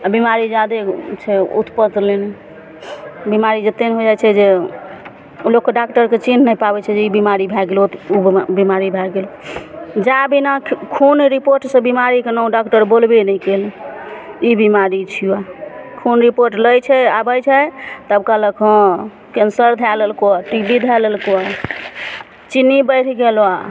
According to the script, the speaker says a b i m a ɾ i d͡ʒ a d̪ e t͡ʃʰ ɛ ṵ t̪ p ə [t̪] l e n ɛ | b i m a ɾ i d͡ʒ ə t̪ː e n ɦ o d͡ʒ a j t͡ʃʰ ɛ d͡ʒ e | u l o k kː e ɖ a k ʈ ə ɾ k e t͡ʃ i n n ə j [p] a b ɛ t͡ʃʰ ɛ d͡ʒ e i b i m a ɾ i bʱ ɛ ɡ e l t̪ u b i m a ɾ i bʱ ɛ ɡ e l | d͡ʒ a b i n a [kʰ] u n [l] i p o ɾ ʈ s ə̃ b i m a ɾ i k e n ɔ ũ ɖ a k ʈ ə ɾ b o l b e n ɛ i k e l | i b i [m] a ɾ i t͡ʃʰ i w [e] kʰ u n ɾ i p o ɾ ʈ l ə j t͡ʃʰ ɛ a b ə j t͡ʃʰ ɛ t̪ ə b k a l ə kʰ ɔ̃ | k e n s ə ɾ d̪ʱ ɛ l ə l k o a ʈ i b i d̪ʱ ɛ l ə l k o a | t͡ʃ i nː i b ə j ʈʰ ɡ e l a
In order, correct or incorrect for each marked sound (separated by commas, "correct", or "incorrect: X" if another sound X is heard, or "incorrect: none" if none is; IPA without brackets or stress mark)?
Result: correct, correct, correct, incorrect: ɾ, correct, incorrect: a